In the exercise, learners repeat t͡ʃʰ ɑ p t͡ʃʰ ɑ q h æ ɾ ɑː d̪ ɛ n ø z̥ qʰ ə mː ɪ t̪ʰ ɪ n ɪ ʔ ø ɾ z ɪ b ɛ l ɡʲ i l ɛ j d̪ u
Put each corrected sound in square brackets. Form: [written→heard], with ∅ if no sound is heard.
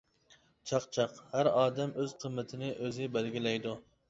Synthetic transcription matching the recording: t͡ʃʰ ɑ [p→q] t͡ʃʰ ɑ q h æ ɾ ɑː d̪ ɛ [n→m] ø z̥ qʰ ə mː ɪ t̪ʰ ɪ n ɪ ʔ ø [ɾ→∅] z ɪ b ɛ l ɡʲ i l ɛ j d̪ u

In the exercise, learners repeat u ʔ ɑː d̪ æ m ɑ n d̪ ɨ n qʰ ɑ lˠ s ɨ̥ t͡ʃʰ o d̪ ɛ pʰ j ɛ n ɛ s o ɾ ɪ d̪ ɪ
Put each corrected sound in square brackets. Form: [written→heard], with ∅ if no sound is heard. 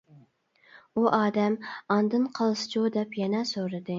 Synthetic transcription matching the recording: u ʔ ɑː d̪ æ m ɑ n d̪ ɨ n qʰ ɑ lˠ s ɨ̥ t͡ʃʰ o d̪ ɛ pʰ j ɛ n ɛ s o ɾ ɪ d̪ ɪ

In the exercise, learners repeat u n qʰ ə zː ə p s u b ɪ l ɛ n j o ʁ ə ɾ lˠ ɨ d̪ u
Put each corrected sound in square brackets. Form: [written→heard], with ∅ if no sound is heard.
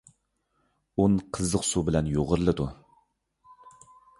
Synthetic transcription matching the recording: u n qʰ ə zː ə [p→q] s u b ɪ l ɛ n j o ʁ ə ɾ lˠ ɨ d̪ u

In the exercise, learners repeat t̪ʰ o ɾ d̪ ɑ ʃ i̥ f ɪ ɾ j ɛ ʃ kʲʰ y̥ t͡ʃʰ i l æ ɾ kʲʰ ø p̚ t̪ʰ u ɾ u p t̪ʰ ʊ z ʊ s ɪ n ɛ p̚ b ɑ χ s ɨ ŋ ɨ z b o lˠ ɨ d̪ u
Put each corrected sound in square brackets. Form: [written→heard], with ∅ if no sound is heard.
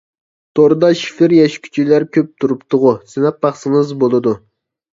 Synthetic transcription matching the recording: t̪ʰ o ɾ d̪ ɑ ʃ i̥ f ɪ ɾ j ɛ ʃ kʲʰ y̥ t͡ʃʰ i l æ ɾ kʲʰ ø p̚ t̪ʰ u ɾ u p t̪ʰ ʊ [z→ʁ] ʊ s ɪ n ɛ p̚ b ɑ χ s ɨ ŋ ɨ z b o lˠ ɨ d̪ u

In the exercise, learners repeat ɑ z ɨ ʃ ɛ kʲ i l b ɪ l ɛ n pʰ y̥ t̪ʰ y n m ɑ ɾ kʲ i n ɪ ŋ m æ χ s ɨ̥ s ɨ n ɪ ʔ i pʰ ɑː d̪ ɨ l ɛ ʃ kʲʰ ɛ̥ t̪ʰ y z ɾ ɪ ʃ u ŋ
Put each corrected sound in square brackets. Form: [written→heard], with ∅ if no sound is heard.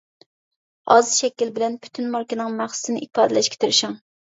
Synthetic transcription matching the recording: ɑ z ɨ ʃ ɛ kʲ i l b ɪ l ɛ n pʰ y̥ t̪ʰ y n m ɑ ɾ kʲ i n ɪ ŋ m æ χ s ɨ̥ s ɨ n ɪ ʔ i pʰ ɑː d̪ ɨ l ɛ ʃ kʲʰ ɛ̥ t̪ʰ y [z→∅] ɾ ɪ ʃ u ŋ

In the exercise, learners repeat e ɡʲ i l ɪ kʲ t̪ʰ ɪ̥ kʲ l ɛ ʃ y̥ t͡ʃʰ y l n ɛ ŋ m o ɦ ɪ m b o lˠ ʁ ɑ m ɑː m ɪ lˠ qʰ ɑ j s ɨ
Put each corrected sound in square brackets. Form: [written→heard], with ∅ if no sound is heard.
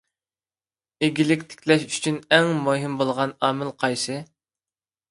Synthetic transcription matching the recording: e ɡʲ i l ɪ kʲ t̪ʰ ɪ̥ kʲ l ɛ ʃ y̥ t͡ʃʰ y [l→∅] n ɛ ŋ m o ɦ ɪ m b o lˠ ʁ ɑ [m→n] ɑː m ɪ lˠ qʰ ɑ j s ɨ

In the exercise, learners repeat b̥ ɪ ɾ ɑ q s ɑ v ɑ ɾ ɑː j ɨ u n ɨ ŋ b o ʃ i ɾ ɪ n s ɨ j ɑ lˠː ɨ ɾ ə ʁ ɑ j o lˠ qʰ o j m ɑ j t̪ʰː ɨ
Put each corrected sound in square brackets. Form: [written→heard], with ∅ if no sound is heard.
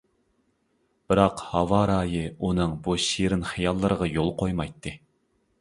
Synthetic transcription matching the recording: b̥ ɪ ɾ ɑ q [s→h] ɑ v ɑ ɾ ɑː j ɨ u n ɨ ŋ b [o→u] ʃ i ɾ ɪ n [s→χ] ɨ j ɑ lˠː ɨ ɾ ə ʁ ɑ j o lˠ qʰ o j m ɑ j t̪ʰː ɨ

